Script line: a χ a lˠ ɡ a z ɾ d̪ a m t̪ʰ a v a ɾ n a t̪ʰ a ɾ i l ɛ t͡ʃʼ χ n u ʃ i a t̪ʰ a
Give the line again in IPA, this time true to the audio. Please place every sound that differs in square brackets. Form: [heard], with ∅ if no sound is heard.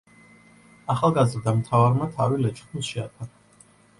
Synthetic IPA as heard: a χ a lˠ ɡ a z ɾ d̪ a m t̪ʰ a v a ɾ [m] a t̪ʰ a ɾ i l ɛ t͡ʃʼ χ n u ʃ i a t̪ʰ a

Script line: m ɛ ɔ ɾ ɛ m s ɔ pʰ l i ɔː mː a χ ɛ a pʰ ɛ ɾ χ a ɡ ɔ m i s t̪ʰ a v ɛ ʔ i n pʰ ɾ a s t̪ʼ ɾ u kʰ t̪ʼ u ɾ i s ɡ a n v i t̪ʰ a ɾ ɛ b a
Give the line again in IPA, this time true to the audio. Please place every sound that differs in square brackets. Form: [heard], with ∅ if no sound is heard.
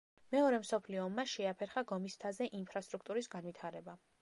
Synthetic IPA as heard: m ɛ ɔ ɾ ɛ m s ɔ pʰ l i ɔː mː a [ʃ] ɛ a pʰ ɛ ɾ χ a ɡ ɔ m i s t̪ʰ a [z] ɛ ʔ i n pʰ ɾ a s t̪ʼ ɾ u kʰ t̪ʼ u ɾ i s ɡ a n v i t̪ʰ a ɾ ɛ b a

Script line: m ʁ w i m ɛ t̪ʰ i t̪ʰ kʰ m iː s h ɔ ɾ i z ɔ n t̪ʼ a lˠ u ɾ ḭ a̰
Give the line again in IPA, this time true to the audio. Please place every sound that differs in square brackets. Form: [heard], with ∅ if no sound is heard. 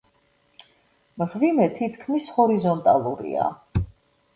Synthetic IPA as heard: m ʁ [v] i m ɛ t̪ʰ i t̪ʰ kʰ m [i] s h ɔ ɾ i z ɔ n t̪ʼ a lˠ u ɾ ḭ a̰

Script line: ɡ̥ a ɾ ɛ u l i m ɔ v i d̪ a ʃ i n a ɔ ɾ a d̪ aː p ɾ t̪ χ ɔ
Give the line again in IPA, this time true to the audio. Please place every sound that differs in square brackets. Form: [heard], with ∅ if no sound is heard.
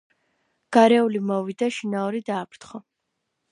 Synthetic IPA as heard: ɡ̥ a ɾ ɛ u l i m ɔ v i d̪ a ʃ i n a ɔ ɾ [i] d̪ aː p ɾ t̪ χ ɔ

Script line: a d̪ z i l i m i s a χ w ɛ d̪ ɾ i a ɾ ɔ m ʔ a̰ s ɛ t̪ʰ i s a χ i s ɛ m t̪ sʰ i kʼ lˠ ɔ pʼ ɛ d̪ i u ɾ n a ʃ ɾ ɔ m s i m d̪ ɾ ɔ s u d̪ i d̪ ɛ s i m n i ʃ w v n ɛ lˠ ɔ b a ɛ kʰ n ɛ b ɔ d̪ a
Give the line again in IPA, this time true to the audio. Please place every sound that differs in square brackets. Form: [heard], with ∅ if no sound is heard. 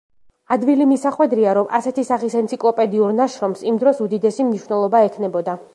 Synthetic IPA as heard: a d̪ [v] i l i m i s a χ w ɛ d̪ ɾ i a ɾ ɔ m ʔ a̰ s ɛ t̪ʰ i s a χ i s ɛ [n] t̪ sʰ i kʼ lˠ ɔ pʼ ɛ d̪ i u ɾ n a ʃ ɾ ɔ m s i m d̪ ɾ ɔ s u d̪ i d̪ ɛ s i m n i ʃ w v n ɛ lˠ ɔ b a ɛ kʰ n ɛ b ɔ d̪ a

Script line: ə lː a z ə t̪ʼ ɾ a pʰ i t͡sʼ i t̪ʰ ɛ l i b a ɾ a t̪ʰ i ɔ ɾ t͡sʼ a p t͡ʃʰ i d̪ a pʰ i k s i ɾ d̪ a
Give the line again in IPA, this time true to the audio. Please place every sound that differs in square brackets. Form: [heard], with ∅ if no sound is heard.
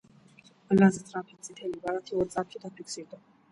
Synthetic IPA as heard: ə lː a z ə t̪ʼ ɾ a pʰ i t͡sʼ i t̪ʰ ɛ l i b a ɾ a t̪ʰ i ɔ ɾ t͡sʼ a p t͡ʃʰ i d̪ a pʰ i k s i ɾ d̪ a

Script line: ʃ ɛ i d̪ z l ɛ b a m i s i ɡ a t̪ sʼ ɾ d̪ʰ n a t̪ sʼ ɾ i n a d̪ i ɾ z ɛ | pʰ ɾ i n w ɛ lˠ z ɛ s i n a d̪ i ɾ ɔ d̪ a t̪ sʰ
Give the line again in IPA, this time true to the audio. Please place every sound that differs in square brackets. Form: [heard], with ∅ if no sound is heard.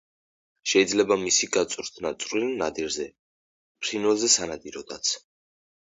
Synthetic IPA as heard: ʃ ɛ i d̪ z l ɛ b a m i s i ɡ a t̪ sʼ ɾ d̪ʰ n a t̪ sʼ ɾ i n a d̪ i ɾ z ɛ | pʰ ɾ i n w ɛ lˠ z ɛ s [a] n a d̪ i ɾ ɔ d̪ a t̪ sʰ

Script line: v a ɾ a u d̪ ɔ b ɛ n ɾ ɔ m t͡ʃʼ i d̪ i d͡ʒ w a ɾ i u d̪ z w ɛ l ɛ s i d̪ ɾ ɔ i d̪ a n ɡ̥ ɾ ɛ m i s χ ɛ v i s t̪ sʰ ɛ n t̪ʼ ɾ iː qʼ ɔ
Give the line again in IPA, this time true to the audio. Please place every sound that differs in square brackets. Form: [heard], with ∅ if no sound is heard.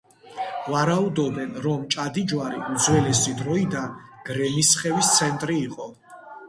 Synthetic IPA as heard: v a ɾ a u d̪ ɔ b ɛ n ɾ ɔ m t͡ʃʼ [a] d̪ i d͡ʒ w a ɾ i u d̪ z w ɛ l ɛ s i d̪ ɾ ɔ i d̪ a n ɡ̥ ɾ ɛ m i s χ ɛ v i s t̪ sʰ ɛ n t̪ʼ ɾ iː qʼ ɔ

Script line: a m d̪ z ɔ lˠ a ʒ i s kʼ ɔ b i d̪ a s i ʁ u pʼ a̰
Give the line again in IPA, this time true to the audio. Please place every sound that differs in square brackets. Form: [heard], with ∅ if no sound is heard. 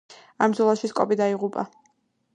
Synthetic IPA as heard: a m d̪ z ɔ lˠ a [ʃ] i s kʼ ɔ b i d̪ a [∅] i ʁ u pʼ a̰

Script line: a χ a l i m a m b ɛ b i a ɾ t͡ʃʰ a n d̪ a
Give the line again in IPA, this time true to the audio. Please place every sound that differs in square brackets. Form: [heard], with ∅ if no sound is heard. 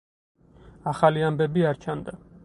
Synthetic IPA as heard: a χ a l i [∅] a m b ɛ b i a ɾ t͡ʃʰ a n d̪ a

